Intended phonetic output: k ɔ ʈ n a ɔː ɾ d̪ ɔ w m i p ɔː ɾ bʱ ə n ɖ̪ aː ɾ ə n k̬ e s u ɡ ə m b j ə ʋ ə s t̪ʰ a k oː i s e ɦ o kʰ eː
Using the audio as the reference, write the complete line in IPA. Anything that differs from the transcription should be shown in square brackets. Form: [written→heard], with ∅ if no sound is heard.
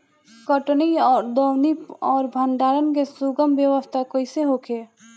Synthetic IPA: k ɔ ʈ n [a→i] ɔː ɾ d̪ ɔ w [m→n] i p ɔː ɾ bʱ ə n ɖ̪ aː ɾ ə n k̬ e s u ɡ ə m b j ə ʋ ə s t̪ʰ a k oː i s e ɦ o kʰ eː